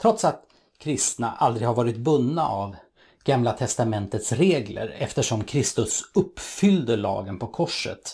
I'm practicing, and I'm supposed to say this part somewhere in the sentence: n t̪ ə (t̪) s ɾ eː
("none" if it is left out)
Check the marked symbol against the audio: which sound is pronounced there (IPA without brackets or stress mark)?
t̪